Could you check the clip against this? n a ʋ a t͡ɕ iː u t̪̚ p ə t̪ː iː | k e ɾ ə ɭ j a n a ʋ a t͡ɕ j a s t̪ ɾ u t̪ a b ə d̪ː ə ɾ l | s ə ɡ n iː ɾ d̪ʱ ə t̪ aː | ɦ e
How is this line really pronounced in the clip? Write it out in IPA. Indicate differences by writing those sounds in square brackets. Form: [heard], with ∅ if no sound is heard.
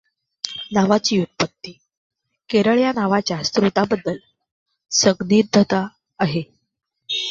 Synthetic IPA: n a ʋ a t͡ɕ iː u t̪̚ p ə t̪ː iː | k e ɾ ə ɭ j a n a ʋ a t͡ɕ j a s t̪ ɾ u t̪ a b ə d̪ː ə [∅] l | s ə ɡ n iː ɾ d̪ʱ ə t̪ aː | ɦ e

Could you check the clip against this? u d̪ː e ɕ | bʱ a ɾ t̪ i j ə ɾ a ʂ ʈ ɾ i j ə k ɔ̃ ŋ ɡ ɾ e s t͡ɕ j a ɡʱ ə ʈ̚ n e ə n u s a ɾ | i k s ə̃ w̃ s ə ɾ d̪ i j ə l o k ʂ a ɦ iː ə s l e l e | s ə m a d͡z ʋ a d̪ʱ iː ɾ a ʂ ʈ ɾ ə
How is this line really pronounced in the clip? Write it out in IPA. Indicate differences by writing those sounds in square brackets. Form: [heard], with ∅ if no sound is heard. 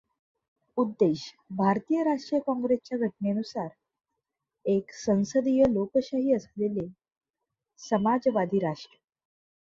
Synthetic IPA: u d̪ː e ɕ | bʱ a ɾ t̪ i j ə ɾ a ʂ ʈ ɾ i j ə k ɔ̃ ŋ ɡ ɾ e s t͡ɕ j a ɡʱ ə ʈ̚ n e ə n u s a ɾ | [e] k s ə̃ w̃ s ə [∅] d̪ i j ə l o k [ɕ] a ɦ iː ə s l e l e | s ə m a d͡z ʋ a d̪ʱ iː ɾ a ʂ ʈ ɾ ə

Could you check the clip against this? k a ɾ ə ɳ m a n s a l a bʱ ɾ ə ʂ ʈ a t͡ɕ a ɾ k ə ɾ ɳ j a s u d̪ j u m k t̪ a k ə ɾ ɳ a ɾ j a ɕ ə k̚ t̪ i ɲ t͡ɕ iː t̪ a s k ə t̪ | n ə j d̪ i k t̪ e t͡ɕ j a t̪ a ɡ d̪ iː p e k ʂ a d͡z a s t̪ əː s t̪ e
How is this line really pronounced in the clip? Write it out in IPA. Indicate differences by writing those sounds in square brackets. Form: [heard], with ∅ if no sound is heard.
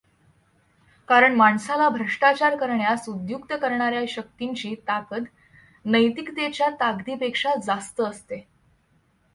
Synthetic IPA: k a ɾ ə ɳ m a [ɳ] s a l a bʱ ɾ ə ʂ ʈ a t͡ɕ a ɾ k ə ɾ ɳ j a s u d̪ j u [∅] k t̪ [ə] k ə ɾ ɳ a ɾ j a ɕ ə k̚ t̪ i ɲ t͡ɕ iː t̪ a [∅] k ə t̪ | n ə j [t̪] i k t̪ e t͡ɕ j a t̪ a ɡ d̪ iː p e k ʂ a d͡z a s t̪ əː s t̪ e

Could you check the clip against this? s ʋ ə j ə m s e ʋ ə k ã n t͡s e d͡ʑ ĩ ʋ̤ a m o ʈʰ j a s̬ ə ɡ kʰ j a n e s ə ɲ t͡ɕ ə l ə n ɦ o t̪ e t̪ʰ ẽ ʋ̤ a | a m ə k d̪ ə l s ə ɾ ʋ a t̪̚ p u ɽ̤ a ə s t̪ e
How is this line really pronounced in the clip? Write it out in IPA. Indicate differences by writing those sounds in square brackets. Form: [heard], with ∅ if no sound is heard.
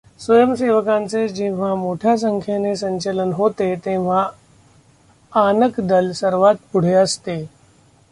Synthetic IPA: s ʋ ə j ə m s e ʋ ə k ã n t͡s e d͡ʑ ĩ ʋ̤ a m o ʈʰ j a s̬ ə [ŋ] kʰ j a n e s ə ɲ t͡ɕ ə l ə n ɦ o t̪ e [t̪] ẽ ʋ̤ a | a [n] ə k d̪ ə l s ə ɾ ʋ a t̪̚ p u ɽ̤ [e] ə s t̪ e

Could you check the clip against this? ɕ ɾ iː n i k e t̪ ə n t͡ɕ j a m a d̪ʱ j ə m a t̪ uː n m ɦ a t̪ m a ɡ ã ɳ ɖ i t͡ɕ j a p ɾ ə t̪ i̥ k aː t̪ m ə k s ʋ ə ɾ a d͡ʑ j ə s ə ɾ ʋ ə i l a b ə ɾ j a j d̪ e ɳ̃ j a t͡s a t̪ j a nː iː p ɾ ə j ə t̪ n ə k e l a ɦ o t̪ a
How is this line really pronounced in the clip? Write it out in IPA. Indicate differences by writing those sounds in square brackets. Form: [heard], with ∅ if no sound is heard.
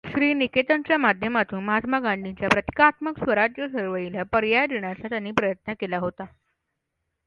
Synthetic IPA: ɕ ɾ iː n i k e t̪ ə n t͡ɕ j a m a d̪ʱ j ə m a t̪ uː n m ɦ a t̪ m a ɡ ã ɳ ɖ i t͡ɕ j a p ɾ ə t̪ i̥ k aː t̪ m ə k s ʋ ə ɾ a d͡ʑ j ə s ə ɾ ʋ ə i l a [p] ə ɾ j a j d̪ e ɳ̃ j a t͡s a t̪ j a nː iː p ɾ ə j ə t̪ n ə k e l a ɦ o t̪ a

